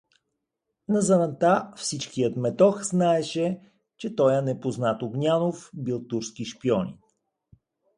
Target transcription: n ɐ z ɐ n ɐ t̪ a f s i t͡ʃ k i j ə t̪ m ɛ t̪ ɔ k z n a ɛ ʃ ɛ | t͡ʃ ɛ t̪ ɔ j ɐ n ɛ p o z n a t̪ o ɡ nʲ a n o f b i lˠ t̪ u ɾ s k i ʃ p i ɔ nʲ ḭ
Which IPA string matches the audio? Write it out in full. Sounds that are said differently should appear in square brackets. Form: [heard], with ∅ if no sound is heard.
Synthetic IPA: n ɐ z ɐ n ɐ t̪ a f s i t͡ʃ k i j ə t̪ m ɛ t̪ ɔ [x] z n a ɛ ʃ ɛ | t͡ʃ ɛ t̪ ɔ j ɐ n ɛ p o z n a t̪ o ɡ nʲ a n o f b i lˠ t̪ u ɾ s k i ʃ p i ɔ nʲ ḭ